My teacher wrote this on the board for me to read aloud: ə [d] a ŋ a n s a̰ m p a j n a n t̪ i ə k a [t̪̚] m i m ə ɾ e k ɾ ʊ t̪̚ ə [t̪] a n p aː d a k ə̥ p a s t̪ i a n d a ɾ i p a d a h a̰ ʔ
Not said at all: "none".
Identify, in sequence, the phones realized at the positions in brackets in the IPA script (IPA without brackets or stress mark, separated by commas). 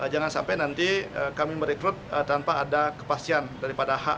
d͡ʒ, none, t̪